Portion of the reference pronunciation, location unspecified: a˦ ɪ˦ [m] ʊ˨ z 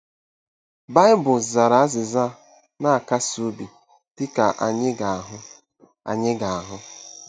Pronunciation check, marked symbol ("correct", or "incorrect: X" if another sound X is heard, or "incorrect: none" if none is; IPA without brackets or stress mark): incorrect: b